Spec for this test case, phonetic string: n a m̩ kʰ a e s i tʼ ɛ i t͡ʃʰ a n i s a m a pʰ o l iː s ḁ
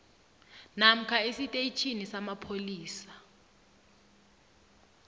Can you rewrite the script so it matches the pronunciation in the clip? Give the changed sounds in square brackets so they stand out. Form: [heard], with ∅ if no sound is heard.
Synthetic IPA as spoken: n a m̩ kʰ a e s i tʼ [e] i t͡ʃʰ [i] n i s a m a pʰ o l iː s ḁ